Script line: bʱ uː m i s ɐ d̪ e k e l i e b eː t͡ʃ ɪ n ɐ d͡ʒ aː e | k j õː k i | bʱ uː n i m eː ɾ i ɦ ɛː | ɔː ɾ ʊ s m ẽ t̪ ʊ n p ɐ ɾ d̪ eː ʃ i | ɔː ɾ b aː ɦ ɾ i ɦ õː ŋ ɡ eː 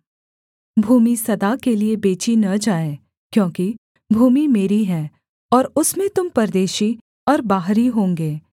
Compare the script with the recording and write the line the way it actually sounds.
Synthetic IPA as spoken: bʱ uː m i s ɐ d̪ a k e l i e b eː t͡ʃ i n ɐ d͡ʒ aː e | k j õː k i | bʱ uː m i m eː ɾ i ɦ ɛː | ɔː ɾ ʊ s m ẽ t̪ ʊ m p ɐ ɾ d̪ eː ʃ i | ɔː ɾ b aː ɦ ɾ i ɦ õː ŋ ɡ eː